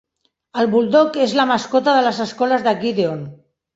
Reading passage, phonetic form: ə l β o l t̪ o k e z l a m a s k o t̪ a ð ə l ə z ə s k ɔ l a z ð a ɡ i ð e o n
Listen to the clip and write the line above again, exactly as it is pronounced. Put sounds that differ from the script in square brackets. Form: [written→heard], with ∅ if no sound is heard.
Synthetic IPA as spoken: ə l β [o→u] l [t̪→d̪] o k e z l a m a s k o t̪ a ð ə l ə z ə s k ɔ l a z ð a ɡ i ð e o n